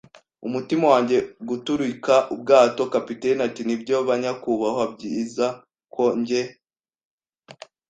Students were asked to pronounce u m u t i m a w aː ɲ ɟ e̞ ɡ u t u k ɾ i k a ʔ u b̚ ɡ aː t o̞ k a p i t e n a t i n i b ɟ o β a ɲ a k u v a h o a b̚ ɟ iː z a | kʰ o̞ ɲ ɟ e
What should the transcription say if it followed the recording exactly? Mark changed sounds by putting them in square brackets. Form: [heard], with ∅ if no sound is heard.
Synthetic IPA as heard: u m u t i m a w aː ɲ ɟ e̞ ɡ u t u [∅] ɾ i k a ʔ u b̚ ɡ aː t o̞ k a p i t e n a t i n i b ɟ o β a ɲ a k u [β] a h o a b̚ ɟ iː z a | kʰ o̞ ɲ ɟ e